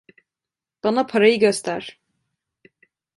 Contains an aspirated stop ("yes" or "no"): yes